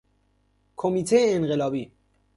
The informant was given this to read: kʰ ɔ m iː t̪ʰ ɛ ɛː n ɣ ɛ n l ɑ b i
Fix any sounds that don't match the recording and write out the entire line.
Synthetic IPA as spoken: kʰ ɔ m i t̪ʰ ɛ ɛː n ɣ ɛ l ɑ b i

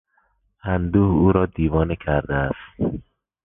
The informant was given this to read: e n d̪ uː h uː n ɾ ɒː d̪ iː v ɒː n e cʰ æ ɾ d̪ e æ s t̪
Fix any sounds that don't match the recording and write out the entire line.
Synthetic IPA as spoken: æ n d̪ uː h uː ɾ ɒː d̪ iː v ɒː n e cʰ æ ɾ d̪ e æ s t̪

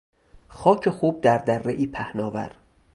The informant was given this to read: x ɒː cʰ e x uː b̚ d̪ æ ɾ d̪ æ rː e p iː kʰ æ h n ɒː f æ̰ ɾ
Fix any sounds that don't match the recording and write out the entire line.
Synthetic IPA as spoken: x ɒː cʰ e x uː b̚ d̪ æ ɾ d̪ æ rː e ʔ iː pʰ æ h n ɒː v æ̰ ɾ

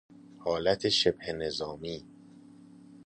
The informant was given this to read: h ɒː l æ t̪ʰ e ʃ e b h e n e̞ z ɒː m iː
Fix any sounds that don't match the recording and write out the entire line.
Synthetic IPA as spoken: h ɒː l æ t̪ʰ e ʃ e b h e n e̞ z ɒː m iː

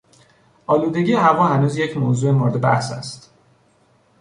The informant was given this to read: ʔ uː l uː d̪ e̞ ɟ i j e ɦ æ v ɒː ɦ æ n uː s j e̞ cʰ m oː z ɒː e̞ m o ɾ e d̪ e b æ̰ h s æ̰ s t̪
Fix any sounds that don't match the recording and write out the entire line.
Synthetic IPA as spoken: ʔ ɒː l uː d̪ e̞ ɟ i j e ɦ æ v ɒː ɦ æ n uː z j e̞ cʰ m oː z uː e̞ m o ɾ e d̪ e b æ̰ h s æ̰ s t̪

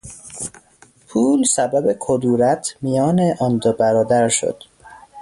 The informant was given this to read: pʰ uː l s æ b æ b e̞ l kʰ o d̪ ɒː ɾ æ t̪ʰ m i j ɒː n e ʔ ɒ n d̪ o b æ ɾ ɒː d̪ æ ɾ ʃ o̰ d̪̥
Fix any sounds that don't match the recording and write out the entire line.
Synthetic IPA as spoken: pʰ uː l s æ b æ b e̞ kʰ o d̪ uː ɾ æ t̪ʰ m i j ɒː n e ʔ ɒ n d̪ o b æ ɾ ɒː d̪ æ ɾ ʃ o̰ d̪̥

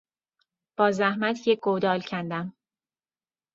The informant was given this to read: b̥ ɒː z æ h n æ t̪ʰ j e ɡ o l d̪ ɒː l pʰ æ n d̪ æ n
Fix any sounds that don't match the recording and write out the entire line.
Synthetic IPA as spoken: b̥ ɒː z æ h m æ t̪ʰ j e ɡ o d̪ ɒː l cʰ æ n d̪ æ m

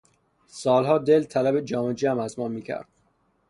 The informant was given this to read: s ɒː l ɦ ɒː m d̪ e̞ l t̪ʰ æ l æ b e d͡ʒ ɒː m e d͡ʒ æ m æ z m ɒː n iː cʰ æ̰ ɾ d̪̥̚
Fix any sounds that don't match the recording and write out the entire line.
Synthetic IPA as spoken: s ɒː l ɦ ɒː d̪ e̞ l t̪ʰ æ l æ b e d͡ʒ ɒː m e d͡ʒ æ m æ z m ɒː m iː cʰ æ̰ ɾ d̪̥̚

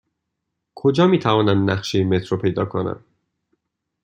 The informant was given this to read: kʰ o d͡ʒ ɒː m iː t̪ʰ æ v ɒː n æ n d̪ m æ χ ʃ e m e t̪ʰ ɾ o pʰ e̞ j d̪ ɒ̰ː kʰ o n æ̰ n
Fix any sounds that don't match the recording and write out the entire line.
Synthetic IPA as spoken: kʰ o d͡ʒ ɒː m iː t̪ʰ æ v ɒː n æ n d̪ n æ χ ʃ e m e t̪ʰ ɾ o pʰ e̞ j d̪ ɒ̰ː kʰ o n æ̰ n

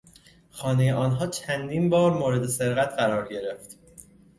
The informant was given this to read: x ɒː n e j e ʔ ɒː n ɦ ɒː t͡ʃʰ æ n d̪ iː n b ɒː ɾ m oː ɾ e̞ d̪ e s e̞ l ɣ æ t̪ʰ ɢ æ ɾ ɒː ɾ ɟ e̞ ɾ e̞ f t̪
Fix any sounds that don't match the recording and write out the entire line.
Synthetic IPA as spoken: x ɒː n e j e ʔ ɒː n ɦ ɒː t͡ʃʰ æ n d̪ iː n b ɒː ɾ m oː ɾ e̞ d̪ e s e̞ ɾ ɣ æ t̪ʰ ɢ æ ɾ ɒː ɾ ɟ e̞ ɾ e̞ f t̪

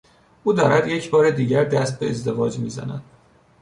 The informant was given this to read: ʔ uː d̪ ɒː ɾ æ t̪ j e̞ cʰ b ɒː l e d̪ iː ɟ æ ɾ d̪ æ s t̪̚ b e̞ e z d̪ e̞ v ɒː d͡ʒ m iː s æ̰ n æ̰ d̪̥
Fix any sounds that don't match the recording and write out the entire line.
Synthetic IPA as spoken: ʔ uː d̪ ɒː ɾ æ d̪ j e̞ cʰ b ɒː ɾ e d̪ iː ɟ æ ɾ d̪ æ s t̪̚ b e̞ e z d̪ e̞ v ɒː d͡ʒ m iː z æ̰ n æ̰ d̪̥

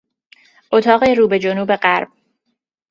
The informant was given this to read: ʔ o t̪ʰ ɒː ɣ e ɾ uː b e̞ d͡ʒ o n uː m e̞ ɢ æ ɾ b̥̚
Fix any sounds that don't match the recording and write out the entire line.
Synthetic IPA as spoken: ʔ o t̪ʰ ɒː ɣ e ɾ uː b e̞ d͡ʒ o n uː b e̞ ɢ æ ɾ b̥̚

